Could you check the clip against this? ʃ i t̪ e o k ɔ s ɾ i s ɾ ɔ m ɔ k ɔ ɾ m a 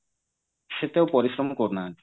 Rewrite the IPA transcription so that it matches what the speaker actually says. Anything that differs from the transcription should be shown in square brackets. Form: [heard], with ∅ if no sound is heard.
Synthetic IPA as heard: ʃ [e] t̪ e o [p] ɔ [∅] ɾ i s ɾ ɔ m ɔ k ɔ ɾ [n] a